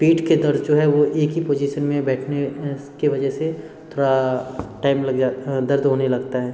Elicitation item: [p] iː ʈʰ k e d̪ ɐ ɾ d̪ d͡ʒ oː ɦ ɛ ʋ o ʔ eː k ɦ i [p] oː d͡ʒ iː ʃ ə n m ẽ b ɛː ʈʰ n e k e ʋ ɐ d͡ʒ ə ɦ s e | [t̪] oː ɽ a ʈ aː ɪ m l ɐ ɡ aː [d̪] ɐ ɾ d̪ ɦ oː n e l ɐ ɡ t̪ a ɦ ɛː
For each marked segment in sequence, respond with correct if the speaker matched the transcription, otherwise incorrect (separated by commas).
correct, correct, incorrect, correct